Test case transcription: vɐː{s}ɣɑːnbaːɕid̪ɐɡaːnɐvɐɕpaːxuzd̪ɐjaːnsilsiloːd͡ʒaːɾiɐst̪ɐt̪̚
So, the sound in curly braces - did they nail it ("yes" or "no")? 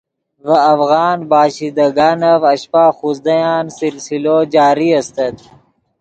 no